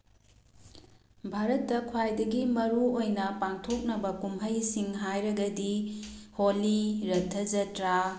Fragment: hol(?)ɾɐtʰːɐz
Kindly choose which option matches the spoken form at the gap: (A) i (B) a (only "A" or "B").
A